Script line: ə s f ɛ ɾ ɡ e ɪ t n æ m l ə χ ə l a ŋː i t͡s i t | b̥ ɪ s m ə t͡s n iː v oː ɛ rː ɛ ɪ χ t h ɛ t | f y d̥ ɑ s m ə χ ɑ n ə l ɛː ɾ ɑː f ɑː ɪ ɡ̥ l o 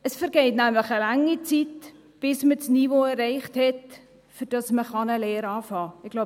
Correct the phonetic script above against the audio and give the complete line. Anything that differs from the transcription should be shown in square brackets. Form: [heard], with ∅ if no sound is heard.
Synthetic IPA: ə s f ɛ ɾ ɡ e ɪ t n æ m l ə χ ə l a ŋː i t͡s i t | b̥ ɪ s m ə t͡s n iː v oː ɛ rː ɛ ɪ χ t h ɛ t | f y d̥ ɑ s m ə χ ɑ n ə l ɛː ɾ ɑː f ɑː ɪ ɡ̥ l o